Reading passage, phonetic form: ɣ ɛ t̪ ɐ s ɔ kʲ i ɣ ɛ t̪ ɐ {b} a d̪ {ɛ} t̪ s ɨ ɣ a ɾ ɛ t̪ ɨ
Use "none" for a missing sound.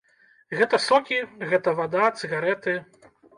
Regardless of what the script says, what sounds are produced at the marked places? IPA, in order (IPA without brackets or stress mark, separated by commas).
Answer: v, a